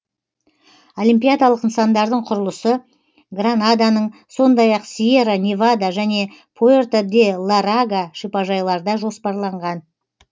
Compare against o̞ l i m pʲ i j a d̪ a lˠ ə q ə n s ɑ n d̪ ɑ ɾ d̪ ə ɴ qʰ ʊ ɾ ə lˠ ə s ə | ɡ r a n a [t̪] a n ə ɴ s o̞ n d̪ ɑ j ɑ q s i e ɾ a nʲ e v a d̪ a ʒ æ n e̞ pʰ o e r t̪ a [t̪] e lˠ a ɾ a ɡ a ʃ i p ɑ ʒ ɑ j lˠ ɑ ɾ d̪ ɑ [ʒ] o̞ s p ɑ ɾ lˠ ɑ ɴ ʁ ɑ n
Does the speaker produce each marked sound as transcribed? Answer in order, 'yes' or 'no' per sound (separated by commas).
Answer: no, no, yes